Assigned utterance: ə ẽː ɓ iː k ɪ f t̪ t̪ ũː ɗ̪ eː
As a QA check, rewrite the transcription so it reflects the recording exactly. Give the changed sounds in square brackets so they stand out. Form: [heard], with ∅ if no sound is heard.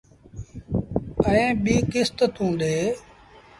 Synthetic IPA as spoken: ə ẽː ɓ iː k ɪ [s] t̪ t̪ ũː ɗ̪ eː